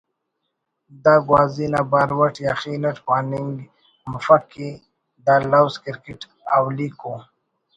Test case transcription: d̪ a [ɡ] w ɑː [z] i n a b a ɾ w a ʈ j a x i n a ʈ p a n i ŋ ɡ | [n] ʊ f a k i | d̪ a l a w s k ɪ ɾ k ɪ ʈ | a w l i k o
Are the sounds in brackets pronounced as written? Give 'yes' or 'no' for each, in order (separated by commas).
yes, yes, no